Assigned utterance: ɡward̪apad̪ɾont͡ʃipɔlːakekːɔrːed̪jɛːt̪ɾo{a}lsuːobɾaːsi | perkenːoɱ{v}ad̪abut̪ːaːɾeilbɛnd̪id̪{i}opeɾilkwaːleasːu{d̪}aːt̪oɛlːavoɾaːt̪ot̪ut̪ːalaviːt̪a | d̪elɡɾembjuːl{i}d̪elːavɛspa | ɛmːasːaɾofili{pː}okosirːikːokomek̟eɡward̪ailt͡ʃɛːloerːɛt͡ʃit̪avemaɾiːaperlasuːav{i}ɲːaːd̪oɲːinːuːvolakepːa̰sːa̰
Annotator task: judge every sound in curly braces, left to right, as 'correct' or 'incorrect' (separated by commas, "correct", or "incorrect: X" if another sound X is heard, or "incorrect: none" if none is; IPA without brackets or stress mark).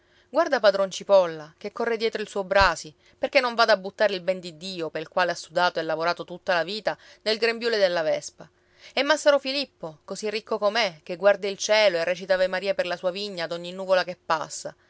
incorrect: i, correct, incorrect: iː, correct, incorrect: e, correct, correct